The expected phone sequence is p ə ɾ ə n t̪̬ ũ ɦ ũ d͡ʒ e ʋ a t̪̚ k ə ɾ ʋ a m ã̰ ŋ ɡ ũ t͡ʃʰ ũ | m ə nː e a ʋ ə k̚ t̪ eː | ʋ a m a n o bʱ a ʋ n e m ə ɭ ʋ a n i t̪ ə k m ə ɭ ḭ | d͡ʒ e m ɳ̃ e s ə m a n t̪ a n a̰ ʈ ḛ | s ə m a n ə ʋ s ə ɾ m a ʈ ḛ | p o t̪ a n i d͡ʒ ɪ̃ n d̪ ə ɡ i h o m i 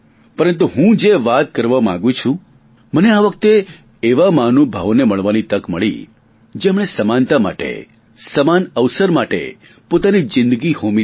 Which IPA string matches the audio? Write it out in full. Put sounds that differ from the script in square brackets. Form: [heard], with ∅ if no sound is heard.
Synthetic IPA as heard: p ə ɾ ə n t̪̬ [u] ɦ ũ d͡ʒ e ʋ a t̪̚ k ə ɾ ʋ a m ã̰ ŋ ɡ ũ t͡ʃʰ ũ | m ə [n] e a ʋ ə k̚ t̪ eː | ʋ a m a n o bʱ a ʋ n e m ə ɭ ʋ a n i t̪ ə k m ə ɭ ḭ | d͡ʒ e m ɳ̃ e s ə m a n t̪ a [m] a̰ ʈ ḛ | s ə m a n ə ʋ s ə ɾ m a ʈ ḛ | p o t̪ a n i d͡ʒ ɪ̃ n d̪ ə ɡ i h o m i